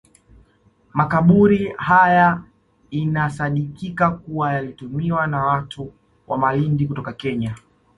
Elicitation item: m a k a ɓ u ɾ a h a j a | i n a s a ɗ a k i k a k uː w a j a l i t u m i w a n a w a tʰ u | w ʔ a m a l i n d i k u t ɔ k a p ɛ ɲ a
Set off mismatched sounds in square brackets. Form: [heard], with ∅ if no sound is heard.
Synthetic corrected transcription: m a k a ɓ u ɾ [i] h a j a | i n a s a ɗ [i] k i k a k [u] w a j a l i t u m i w a n a w a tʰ u | w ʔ a m a l i n d i k u t ɔ k a [k] ɛ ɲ a